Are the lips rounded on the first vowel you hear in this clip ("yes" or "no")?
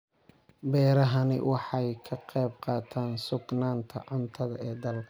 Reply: no